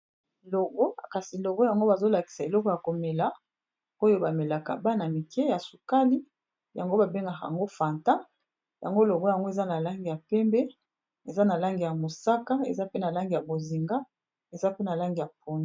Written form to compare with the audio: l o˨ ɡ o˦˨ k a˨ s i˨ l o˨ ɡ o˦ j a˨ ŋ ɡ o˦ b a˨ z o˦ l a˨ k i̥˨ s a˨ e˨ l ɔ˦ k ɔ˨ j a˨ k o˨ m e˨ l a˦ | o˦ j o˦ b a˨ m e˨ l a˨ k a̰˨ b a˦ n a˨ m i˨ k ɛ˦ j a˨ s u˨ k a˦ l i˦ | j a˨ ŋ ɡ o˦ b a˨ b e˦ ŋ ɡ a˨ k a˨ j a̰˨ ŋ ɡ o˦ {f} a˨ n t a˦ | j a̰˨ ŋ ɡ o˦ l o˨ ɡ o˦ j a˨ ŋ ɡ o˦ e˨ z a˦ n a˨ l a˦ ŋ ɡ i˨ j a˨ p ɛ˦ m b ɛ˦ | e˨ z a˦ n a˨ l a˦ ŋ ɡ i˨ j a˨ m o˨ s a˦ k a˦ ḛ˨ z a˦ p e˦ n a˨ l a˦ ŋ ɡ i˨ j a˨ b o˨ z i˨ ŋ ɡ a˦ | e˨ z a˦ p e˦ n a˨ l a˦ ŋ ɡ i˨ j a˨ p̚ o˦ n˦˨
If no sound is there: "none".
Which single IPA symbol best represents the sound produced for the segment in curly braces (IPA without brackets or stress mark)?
f